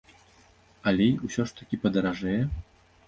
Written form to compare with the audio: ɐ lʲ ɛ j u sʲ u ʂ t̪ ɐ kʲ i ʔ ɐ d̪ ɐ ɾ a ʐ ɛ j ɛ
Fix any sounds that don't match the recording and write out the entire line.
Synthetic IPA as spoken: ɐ lʲ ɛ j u sʲ ɔ ʂ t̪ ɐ kʲ i p ɐ d̪ ɐ ɾ a ʐ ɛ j ɛ